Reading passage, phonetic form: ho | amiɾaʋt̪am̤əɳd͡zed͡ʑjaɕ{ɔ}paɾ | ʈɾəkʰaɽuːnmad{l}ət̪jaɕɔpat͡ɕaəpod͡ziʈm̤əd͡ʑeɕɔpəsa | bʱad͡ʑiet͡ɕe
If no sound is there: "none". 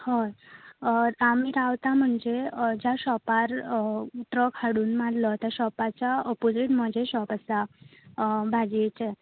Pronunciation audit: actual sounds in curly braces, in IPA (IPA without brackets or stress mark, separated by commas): ɔ, l